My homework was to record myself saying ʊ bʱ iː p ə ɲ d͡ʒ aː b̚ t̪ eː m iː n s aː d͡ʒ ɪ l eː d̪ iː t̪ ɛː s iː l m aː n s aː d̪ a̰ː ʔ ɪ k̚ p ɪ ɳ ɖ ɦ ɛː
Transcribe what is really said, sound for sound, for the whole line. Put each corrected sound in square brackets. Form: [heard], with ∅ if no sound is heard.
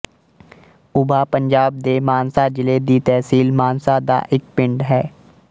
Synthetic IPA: ʊ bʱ [aː] p ə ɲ d͡ʒ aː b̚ [d̪] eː m [aː] n s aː d͡ʒ ɪ l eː d̪ iː t̪ ɛː s iː l m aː n s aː d̪ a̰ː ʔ ɪ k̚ p ɪ ɳ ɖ ɦ ɛː